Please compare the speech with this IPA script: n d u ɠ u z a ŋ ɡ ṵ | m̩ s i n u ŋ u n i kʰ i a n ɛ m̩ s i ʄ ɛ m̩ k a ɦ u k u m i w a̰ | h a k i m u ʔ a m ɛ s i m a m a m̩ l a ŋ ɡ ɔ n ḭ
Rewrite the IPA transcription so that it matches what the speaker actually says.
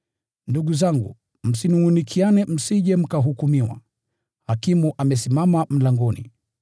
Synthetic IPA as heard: n d u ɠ u z a ŋ ɡ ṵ | m̩ s i n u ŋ u n i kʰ i a n ɛ m̩ s i ʄ ɛ m̩ k a ɦ u k u m i w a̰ | h a k i m u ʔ a m ɛ s i m a m a m̩ l a ŋ ɡ ɔ n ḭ